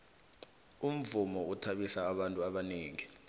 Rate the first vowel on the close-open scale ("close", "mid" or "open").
close